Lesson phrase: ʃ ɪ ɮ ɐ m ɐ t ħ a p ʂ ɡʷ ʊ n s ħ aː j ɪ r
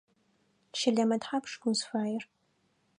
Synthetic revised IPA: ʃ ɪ ɮ ɐ m ɐ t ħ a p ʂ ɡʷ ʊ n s f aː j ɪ r